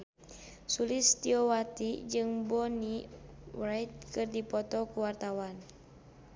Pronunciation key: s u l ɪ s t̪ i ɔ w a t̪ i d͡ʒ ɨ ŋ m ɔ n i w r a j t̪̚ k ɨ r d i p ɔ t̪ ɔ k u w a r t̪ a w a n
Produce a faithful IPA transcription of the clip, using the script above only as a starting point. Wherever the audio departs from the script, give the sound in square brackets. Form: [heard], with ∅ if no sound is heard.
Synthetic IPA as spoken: s u l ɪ s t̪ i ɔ w a t̪ i d͡ʒ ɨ ŋ [b] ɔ n i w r a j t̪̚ k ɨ r d i p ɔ t̪ ɔ k u w a r t̪ a w a n